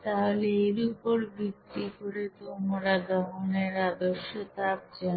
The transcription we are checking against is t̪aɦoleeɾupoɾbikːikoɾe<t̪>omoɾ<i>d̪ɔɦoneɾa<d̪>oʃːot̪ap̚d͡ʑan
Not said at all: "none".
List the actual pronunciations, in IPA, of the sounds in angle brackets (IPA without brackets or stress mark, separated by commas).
t̪, a, d̪